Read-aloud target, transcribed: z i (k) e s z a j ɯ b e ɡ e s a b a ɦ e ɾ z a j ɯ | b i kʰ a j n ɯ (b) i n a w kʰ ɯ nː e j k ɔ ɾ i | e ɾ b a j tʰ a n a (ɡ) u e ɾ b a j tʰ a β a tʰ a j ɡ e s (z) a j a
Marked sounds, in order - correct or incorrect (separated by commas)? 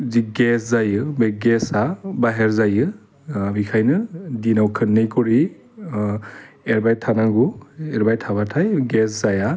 incorrect, incorrect, correct, correct